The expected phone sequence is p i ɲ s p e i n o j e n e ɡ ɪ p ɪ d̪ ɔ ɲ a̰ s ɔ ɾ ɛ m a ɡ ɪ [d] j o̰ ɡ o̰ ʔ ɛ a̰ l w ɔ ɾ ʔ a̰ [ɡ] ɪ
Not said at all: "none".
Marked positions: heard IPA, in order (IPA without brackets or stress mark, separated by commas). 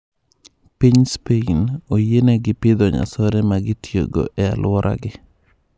t, ɡ